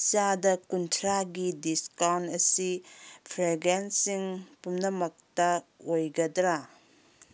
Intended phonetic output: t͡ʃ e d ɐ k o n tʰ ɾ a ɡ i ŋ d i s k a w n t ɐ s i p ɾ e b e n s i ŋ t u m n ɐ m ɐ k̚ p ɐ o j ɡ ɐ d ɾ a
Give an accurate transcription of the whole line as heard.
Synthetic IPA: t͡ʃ a d ɐ k u n tʰ ɾ a ɡ i d i s k a w n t ɐ s i pʰ ɾ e ɡ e n s i ŋ p u m n ɐ m ɐ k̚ t ɐ o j ɡ ɐ d ɾ a